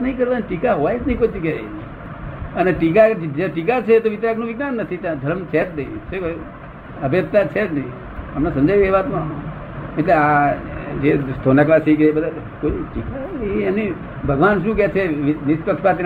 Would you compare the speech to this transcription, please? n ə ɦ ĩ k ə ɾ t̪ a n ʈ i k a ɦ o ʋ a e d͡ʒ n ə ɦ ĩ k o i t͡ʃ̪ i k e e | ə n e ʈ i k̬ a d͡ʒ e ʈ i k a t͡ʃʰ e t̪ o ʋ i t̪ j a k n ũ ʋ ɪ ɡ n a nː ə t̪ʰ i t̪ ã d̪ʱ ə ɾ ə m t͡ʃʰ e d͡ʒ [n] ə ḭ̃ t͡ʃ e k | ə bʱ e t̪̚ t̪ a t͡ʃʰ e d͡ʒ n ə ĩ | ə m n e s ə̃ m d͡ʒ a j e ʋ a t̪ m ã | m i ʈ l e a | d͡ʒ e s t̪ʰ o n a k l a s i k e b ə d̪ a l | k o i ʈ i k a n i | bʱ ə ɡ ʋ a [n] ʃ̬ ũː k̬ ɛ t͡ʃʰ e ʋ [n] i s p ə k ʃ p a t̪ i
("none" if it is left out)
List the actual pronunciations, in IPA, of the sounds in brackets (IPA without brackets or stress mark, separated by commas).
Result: n, n, n